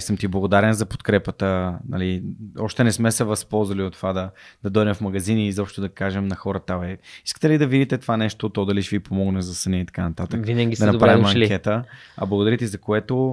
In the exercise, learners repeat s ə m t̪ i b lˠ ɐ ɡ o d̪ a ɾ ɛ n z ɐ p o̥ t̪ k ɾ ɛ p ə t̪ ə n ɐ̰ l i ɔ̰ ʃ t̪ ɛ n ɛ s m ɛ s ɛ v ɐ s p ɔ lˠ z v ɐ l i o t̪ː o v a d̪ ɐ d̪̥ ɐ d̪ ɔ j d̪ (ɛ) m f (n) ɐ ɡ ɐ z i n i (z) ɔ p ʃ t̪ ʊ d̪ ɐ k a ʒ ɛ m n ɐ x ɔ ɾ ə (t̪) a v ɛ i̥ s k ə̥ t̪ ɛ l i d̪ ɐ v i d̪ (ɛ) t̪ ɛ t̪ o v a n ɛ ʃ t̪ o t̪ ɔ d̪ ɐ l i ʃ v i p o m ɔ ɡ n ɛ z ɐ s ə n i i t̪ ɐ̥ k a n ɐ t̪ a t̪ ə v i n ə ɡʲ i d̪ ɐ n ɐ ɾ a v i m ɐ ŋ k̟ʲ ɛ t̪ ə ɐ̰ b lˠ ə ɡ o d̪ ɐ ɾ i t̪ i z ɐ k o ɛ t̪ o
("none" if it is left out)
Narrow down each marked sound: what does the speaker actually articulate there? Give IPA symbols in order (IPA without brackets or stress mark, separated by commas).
ɛ, m, z, t̪, i